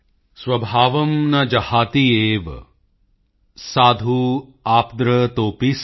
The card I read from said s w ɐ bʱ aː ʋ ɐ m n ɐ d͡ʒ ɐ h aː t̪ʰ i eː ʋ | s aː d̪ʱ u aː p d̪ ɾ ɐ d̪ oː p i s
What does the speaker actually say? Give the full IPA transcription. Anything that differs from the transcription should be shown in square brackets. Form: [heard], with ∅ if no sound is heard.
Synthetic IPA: s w ɐ bʱ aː ʋ ɐ m n ɐ d͡ʒ ɐ h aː [t̪] i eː ʋ | s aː d̪ʱ u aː p d̪ ɾ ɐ [t̪] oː p i s

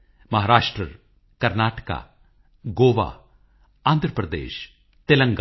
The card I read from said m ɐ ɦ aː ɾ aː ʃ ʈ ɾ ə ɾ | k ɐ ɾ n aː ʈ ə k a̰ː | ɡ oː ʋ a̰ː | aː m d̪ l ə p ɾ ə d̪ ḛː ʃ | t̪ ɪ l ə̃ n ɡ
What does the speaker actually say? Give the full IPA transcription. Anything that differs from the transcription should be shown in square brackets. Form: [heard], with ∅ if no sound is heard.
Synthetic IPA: m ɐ ɦ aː ɾ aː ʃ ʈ ɾ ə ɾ | k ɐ ɾ n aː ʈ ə k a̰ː | ɡ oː ʋ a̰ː | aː [n] d̪ [ɾ] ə p ɾ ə d̪ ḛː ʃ | t̪ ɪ l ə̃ [ŋ] ɡ

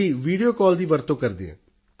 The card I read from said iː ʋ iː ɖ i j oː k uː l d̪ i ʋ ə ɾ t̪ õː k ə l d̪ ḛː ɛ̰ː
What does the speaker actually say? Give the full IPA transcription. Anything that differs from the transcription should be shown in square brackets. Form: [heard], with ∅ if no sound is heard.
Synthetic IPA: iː ʋ iː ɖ i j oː k [ɔː] l d̪ [iː] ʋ ə ɾ t̪ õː k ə [ɾ] d̪ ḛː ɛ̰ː

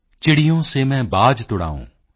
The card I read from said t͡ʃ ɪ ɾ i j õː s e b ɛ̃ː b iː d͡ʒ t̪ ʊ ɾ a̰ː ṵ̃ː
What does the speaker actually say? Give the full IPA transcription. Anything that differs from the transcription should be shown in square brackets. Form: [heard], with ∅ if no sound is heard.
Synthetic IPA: t͡ʃ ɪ [ɽ] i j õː s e [m] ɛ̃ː b [aː] d͡ʒ t̪ ʊ [ɽ] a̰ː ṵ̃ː

